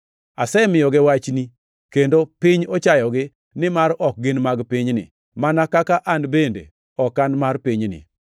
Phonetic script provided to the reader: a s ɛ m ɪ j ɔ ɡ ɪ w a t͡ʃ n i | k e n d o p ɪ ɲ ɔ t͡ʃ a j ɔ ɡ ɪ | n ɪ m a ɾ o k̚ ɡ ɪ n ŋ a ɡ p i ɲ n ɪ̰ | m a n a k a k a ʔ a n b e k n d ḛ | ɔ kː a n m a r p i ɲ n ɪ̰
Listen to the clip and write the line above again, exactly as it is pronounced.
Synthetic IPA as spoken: a s ɛ m ɪ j ɔ ɡ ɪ w a t͡ʃ n i | k e n d o p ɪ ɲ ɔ t͡ʃ a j ɔ ɡ ɪ | n ɪ m a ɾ ɔ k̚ ɡ ɪ n m a ɡ p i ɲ n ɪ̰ | m a n a k a k a ʔ a n b e n d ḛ | ɔ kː a n m a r p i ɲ n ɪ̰